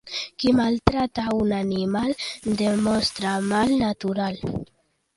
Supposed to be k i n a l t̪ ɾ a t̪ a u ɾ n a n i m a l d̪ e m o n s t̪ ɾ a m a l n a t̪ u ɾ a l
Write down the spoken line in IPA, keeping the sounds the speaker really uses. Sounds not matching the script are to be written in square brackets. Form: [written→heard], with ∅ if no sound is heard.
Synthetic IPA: k i [n→m] a l t̪ ɾ a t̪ a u [ɾ→∅] n a n i m a l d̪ e m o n s t̪ ɾ a m a l n a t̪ u ɾ a l